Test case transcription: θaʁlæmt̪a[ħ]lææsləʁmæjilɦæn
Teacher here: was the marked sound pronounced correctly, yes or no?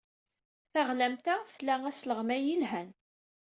no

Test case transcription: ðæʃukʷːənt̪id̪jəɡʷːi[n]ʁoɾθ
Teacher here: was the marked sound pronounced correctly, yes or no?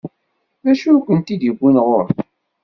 yes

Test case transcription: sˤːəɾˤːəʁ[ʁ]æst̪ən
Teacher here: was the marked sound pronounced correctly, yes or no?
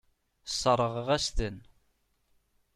yes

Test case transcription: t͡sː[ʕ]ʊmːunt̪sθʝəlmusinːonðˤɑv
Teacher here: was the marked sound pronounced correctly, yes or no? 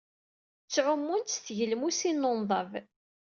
yes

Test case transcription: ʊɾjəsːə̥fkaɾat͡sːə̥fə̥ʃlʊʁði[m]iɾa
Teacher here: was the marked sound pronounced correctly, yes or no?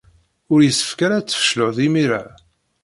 yes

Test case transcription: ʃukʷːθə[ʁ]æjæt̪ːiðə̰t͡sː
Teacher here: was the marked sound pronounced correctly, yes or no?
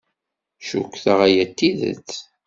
yes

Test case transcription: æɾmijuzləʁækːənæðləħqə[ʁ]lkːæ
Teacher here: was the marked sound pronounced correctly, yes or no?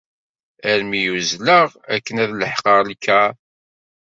yes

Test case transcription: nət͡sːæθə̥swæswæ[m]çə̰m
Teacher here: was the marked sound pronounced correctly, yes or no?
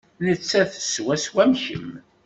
yes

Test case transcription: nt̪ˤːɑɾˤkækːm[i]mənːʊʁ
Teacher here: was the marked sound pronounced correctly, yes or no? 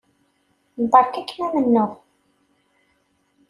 no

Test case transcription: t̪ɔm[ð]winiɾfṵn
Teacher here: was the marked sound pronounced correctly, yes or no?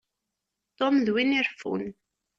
yes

